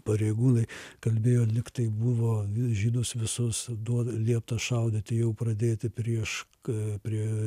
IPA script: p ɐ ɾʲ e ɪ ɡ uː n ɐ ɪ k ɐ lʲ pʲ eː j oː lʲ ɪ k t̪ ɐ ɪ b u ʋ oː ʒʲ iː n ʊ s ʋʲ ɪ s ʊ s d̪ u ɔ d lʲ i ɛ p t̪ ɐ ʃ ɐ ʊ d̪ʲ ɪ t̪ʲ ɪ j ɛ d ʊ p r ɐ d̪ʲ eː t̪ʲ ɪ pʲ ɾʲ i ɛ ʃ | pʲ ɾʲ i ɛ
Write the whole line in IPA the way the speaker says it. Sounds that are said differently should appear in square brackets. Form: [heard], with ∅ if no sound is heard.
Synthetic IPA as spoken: p ɐ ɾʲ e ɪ ɡ uː n ɐ ɪ k ɐ lʲ [bʲ] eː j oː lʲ ɪ k t̪ ɐ ɪ b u ʋ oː ʒʲ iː n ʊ s ʋʲ ɪ s ʊ s d̪ u ɔ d lʲ i ɛ p t̪ ɐ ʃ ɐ ʊ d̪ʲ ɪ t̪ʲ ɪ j ɛ [∅] ʊ p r ɐ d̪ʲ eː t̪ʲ ɪ pʲ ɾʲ i ɛ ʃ | pʲ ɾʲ i ɛ